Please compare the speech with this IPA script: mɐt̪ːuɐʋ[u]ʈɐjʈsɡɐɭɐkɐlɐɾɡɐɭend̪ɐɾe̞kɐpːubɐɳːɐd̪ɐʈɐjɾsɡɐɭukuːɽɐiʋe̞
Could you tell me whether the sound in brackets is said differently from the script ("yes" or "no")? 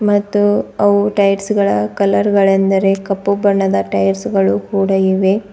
no